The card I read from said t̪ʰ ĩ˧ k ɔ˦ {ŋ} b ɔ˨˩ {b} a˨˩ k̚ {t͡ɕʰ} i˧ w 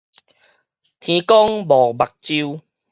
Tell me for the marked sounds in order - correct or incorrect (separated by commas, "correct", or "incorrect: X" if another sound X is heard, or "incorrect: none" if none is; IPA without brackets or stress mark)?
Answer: correct, correct, incorrect: t͡ɕ